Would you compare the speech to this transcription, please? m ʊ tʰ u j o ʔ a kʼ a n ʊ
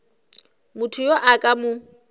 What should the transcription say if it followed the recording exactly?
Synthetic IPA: m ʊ tʰ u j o ʔ a kʼ a m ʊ